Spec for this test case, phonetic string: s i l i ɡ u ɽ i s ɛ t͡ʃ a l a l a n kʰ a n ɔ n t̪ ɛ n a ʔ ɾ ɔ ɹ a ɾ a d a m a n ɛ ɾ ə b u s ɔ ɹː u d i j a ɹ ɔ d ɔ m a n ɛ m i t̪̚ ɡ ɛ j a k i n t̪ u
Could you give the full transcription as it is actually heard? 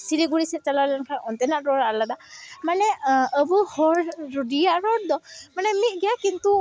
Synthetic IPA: s i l i ɡ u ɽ i s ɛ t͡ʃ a l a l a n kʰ a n ɔ n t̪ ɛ n a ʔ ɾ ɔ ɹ a l a d a m a n ɛ ə b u h ɔ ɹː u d i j a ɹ ɔ d ɔ m a n ɛ m i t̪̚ ɡ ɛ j a k i n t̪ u